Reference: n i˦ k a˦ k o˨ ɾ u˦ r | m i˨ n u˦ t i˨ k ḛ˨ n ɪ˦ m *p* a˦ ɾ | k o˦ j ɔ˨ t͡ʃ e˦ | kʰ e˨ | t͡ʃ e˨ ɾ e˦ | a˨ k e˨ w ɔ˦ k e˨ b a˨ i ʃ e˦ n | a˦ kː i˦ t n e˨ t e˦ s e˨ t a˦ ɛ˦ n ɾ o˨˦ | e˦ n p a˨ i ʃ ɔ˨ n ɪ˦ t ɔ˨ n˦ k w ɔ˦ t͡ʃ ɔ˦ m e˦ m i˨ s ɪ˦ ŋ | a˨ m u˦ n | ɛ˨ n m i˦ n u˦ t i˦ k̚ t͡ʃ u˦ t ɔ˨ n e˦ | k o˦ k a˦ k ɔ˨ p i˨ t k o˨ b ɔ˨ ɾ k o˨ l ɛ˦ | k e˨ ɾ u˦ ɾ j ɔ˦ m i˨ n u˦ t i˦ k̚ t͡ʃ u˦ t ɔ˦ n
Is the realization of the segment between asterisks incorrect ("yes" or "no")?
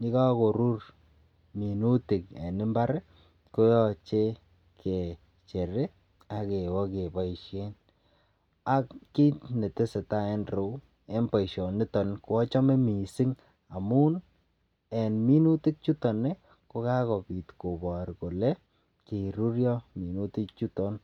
yes